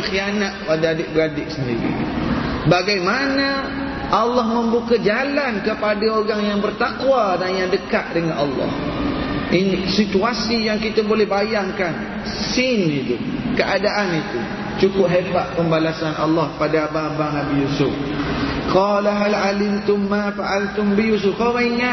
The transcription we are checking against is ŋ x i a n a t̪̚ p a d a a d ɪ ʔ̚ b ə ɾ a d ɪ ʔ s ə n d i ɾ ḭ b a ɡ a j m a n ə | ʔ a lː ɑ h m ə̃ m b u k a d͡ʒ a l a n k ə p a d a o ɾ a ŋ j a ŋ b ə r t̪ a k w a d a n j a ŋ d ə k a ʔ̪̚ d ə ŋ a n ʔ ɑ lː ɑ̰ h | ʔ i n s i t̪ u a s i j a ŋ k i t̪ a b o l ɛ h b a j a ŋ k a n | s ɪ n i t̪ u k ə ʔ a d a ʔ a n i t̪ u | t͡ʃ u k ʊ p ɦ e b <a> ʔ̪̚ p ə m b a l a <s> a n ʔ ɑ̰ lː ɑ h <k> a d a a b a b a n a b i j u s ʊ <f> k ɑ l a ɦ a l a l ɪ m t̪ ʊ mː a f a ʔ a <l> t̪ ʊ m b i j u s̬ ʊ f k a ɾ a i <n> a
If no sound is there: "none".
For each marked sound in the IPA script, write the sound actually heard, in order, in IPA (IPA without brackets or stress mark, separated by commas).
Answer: a, s, p, f, l, ŋ